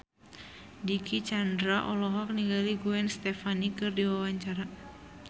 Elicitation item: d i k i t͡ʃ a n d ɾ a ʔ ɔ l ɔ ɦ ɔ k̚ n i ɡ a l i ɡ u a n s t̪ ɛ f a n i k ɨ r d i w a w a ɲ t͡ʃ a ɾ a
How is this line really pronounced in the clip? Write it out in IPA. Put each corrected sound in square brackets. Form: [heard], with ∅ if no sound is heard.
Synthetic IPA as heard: d i k i t͡ʃ a n d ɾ a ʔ ɔ l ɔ ɦ ɔ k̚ n i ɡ a l i ɡ u [ɛ] n s t̪ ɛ f a n i k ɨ r d i w a w a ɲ t͡ʃ a ɾ a